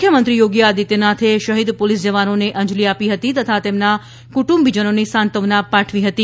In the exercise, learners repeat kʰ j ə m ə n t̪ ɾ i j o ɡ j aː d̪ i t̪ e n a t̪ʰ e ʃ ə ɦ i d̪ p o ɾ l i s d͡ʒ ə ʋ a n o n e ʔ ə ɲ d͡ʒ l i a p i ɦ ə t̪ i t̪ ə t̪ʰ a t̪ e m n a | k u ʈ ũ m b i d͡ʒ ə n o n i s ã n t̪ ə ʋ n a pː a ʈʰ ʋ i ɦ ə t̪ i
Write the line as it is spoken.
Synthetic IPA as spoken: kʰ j ə m ə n t̪ ɾ i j o ɡ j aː d̪ i t̪ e n a t̪ʰ e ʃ ə ɦ i d̪ p o l i s d͡ʒ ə ʋ a n o n e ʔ ə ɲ d͡ʒ l i a p i ɦ ə t̪ i t̪ ə t̪ʰ a t̪ e m n a | k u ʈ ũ m b i d͡ʒ ə n o n i s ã n t̪ ə ʋ n a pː a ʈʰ ʋ i ɦ ə t̪ i